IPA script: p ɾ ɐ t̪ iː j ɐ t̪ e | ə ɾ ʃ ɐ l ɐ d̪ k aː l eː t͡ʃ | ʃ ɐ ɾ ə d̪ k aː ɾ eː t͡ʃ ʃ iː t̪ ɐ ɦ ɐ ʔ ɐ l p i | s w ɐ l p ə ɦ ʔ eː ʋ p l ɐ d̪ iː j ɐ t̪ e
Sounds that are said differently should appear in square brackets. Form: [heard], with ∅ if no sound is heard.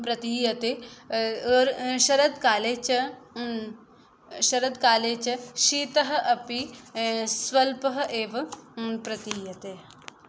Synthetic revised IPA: p ɾ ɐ t̪ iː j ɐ t̪ e | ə ɾ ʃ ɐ [ɾ] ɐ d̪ k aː l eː t͡ʃ | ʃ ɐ ɾ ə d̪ k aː [l] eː t͡ʃ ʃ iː t̪ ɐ ɦ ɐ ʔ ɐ [∅] p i | s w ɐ l p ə ɦ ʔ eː ʋ p [ɾ] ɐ [t̪] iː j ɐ t̪ e